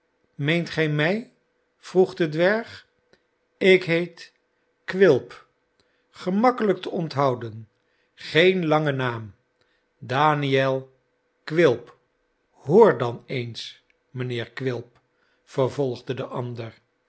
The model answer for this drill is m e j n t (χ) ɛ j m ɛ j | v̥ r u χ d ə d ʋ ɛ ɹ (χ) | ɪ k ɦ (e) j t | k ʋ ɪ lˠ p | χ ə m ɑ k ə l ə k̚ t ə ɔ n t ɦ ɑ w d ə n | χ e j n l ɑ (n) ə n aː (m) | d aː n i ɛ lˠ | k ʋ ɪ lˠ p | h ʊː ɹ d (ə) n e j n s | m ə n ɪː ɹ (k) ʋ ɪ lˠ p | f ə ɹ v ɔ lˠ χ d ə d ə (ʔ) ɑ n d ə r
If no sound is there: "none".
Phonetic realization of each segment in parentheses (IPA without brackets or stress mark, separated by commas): χ, χ, e, ŋ, m, ɑ, k, ʔ